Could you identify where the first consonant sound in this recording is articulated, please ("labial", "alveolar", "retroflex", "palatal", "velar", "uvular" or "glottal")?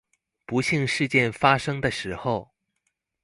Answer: labial